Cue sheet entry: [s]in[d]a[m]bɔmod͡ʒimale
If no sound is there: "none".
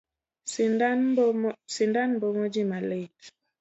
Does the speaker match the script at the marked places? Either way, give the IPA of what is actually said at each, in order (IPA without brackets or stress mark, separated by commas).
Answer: s, d, n